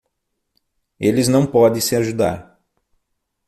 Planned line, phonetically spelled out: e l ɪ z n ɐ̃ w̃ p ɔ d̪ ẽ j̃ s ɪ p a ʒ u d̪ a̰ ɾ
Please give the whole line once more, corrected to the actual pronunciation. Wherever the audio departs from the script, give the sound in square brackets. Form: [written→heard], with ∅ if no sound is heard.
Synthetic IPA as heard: e l ɪ z n ɐ̃ w̃ p ɔ d̪ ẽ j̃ s ɪ [p→∅] a ʒ u d̪ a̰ ɾ